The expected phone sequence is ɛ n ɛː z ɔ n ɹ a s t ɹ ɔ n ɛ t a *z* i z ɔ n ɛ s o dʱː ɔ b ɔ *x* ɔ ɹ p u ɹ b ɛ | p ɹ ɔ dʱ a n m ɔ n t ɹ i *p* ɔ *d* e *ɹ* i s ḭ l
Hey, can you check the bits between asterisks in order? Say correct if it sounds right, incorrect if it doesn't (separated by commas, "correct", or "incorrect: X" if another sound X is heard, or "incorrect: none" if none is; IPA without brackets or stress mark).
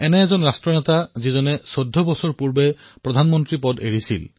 correct, incorrect: s, correct, correct, correct